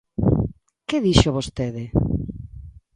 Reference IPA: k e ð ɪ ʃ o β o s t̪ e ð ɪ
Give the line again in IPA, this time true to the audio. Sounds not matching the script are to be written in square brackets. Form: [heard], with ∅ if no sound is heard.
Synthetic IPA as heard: k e ð [i] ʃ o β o s t̪ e ð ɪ